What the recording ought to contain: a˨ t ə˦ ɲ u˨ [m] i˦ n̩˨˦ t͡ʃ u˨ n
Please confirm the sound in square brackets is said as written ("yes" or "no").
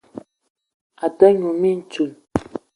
yes